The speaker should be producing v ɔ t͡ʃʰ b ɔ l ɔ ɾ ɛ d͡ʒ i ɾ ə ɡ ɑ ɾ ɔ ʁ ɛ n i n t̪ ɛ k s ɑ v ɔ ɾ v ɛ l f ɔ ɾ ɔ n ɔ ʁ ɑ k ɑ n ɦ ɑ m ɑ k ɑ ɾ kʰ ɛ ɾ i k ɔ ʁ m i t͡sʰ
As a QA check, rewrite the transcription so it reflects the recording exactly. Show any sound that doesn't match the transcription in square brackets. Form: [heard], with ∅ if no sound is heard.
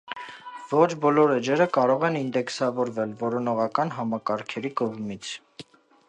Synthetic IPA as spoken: v ɔ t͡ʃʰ b ɔ l ɔ ɾ ɛ d͡ʒ [ɛ] ɾ ə [k] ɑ ɾ ɔ ʁ ɛ n i n [d̪] ɛ k s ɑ v ɔ ɾ v ɛ l [v] ɔ ɾ ɔ n ɔ ʁ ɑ k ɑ n ɦ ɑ m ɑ k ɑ ɾ kʰ ɛ ɾ i k ɔ ʁ m i t͡sʰ